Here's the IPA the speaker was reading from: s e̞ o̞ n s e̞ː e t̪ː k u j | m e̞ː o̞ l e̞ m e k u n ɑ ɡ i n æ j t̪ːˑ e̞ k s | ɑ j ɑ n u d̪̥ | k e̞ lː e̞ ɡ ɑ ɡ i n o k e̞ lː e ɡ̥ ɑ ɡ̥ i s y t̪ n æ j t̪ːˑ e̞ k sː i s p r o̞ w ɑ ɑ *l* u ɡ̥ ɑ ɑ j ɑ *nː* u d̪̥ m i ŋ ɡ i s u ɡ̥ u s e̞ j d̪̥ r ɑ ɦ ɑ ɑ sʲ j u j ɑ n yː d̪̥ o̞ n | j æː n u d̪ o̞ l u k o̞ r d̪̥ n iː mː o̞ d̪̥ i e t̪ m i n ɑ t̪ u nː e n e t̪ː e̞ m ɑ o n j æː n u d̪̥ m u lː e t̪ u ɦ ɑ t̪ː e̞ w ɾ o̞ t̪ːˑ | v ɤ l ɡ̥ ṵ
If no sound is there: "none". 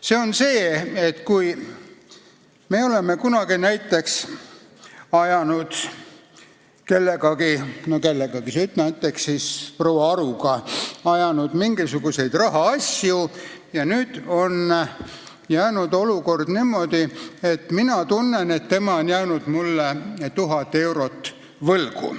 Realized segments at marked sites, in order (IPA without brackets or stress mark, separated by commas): ɾ, n